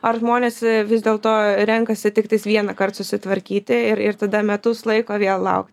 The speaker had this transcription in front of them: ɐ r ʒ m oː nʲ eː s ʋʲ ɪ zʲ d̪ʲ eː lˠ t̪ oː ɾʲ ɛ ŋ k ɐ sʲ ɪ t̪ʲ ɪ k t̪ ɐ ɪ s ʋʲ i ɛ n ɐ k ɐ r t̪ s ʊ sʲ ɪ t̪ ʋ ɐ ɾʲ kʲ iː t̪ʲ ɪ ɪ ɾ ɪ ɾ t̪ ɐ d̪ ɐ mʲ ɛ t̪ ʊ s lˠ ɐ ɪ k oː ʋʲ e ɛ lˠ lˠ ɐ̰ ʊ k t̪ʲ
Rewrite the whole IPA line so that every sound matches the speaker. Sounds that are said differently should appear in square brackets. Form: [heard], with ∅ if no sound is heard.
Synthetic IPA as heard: ɐ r ʒ m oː nʲ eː s ʋʲ ɪ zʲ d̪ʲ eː lˠ t̪ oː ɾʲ ɛ ŋ k ɐ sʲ ɪ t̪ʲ ɪ k t̪ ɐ ɪ s ʋʲ i ɛ n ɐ k ɐ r t̪ s ʊ sʲ ɪ t̪ ʋ ɐ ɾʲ kʲ iː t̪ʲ ɪ ɪ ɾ ɪ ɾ t̪ ɐ d̪ ɐ mʲ ɛ t̪ ʊ s lˠ ɐ ɪ k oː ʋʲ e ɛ lˠ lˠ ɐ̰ ʊ k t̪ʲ